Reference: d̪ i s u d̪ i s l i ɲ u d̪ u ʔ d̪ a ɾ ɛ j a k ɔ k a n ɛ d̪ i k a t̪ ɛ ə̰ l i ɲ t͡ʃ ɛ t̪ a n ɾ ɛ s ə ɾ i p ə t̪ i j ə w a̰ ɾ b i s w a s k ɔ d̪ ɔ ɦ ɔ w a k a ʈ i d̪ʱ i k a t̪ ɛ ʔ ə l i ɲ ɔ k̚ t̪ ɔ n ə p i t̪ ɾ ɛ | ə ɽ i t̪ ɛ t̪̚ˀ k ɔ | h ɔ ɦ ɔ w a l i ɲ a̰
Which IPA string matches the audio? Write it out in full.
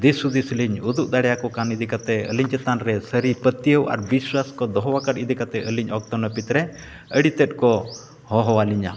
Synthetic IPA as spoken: d̪ i s u d̪ i s l i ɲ u d̪ u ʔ d̪ a ɽ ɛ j a k ɔ k a n i d̪ i k a t̪ ɛ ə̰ l i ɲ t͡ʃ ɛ t̪ a n ɾ ɛ s ə ɾ i p ə t̪ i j ə w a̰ ɾ b i s w a s k ɔ d̪ ɔ ɦ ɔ w a k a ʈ i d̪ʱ i k a t̪ ɛ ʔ ə l i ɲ ɔ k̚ t̪ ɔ n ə p i t̪ ɾ ɛ | ə ɽ i t̪ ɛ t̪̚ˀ k ɔ | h ɔ ɦ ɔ w a l i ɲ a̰